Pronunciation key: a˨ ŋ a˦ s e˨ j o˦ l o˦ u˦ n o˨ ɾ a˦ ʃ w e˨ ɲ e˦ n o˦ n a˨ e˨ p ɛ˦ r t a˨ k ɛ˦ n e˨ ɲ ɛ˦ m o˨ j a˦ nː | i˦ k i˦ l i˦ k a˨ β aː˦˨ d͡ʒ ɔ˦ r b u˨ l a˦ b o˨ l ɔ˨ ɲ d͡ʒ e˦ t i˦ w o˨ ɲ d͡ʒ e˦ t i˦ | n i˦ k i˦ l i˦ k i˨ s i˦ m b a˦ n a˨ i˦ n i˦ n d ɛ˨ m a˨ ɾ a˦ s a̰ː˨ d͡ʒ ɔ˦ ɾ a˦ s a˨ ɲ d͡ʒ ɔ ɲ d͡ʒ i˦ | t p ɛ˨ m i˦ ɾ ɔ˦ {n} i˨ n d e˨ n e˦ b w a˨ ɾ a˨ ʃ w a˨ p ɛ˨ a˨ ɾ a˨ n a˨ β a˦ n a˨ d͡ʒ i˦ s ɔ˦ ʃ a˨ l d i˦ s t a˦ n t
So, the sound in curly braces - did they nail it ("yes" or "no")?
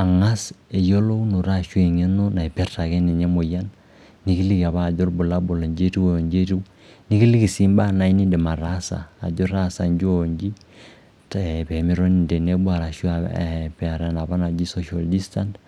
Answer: yes